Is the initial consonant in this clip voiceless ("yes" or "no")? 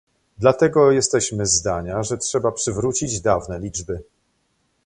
no